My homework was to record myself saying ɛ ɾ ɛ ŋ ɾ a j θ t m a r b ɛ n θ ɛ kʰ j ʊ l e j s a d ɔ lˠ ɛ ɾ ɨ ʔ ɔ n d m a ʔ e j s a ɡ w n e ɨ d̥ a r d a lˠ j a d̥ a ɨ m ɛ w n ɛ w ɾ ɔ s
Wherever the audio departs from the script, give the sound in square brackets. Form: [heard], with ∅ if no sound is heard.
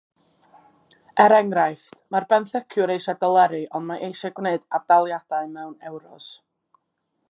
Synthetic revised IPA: ɛ ɾ ɛ ŋ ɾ a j [f] t m a r b ɛ n θ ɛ kʰ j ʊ [ɾ] e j [ʃ] a d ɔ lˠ ɛ ɾ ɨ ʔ ɔ n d m a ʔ e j [ʃ] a ɡ w n e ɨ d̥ a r d a lˠ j a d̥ a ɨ m ɛ w n ɛ w ɾ ɔ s